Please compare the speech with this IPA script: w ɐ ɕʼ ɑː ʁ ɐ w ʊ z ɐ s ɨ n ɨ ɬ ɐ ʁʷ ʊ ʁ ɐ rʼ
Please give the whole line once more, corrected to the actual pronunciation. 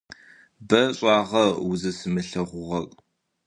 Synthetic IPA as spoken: b ɐ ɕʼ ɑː ʁ ɐ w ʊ z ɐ s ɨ m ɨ ɬ ɐ ʁʷ ʊ ʁ ɐ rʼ